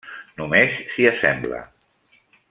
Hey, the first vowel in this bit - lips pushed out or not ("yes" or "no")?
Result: yes